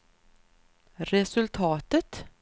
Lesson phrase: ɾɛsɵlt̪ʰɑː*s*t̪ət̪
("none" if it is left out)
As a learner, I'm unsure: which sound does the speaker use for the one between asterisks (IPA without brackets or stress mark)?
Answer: none